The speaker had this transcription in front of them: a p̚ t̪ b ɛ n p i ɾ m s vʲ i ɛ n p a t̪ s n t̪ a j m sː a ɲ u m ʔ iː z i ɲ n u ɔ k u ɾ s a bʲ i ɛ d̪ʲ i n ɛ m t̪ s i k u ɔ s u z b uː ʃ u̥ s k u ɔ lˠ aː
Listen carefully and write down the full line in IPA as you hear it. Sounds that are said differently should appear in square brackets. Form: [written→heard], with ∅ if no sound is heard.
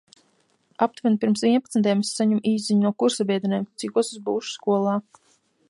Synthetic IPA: a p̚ t̪ [b→v] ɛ n p i ɾ m s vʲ i ɛ n p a t̪ s n t̪ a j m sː a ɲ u m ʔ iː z i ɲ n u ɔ k u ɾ s a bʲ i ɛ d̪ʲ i n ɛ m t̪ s i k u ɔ s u z b uː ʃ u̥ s k u ɔ lˠ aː